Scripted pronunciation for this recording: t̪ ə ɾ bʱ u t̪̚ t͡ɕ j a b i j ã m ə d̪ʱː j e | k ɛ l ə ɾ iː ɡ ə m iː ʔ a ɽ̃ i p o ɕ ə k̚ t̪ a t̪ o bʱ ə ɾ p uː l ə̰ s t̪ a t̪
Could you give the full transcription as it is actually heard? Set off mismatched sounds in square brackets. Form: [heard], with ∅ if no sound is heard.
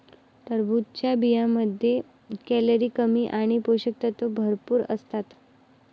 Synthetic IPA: t̪ ə ɾ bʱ u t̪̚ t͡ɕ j a b i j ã m ə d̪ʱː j e | k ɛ l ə ɾ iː [k] ə m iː ʔ a ɽ̃ i p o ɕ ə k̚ t̪ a t̪ o bʱ ə ɾ p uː [ɾ] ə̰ s t̪ a t̪